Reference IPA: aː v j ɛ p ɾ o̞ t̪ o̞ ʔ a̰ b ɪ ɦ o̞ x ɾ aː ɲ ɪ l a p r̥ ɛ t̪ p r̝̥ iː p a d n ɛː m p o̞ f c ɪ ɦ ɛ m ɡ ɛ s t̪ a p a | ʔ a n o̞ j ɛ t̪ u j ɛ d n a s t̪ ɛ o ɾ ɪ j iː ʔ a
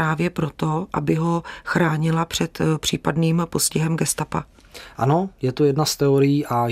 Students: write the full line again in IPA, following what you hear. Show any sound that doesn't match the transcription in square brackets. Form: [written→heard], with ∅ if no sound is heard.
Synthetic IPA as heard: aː v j ɛ p ɾ o̞ t̪ o̞ ʔ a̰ b ɪ ɦ o̞ x ɾ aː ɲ ɪ l a p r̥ ɛ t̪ p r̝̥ iː p a d n [ɛː→iː] m p o̞ [f→s] c ɪ ɦ ɛ m ɡ ɛ s t̪ a p a | ʔ a n o̞ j ɛ t̪ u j ɛ d n a s t̪ ɛ o ɾ ɪ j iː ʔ a